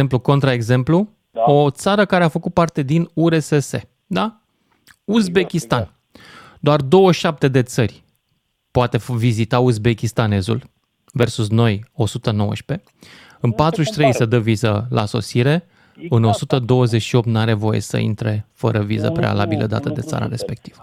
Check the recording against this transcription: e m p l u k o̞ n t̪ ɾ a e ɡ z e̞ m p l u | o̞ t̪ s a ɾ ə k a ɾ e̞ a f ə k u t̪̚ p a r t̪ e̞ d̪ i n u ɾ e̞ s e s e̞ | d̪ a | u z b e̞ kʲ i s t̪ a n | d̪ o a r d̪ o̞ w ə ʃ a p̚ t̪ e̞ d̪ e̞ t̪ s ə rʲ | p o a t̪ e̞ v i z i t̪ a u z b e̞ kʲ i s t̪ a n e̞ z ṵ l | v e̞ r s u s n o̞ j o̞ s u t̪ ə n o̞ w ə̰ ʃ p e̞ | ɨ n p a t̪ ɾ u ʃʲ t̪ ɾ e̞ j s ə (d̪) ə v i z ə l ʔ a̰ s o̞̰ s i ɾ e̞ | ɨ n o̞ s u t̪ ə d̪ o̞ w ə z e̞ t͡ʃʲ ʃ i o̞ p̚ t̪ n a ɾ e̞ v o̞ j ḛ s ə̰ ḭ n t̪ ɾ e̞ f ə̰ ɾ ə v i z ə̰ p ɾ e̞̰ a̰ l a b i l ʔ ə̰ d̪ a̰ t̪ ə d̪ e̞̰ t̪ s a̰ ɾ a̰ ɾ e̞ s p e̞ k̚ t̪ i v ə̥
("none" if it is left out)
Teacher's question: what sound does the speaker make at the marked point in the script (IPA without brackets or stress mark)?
d̪